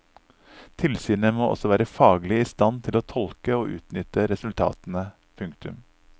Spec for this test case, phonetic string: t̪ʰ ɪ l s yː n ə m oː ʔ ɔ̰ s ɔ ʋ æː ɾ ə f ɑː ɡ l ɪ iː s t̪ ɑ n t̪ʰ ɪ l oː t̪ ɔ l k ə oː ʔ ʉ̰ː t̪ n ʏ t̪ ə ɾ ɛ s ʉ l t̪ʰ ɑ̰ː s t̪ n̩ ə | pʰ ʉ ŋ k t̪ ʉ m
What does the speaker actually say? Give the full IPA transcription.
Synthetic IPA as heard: t̪ʰ ɪ l s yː n ə m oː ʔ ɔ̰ s ɔ ʋ æː ɾ ə f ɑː ɡ l ɪ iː s t̪ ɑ n t̪ʰ ɪ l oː t̪ʰ ɔ l k ə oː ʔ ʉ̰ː t̪ n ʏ t̪ ə ɾ ɛ s ʉ l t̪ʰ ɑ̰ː t̪ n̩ ə | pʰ ʉ ŋ k t̪ ʉ m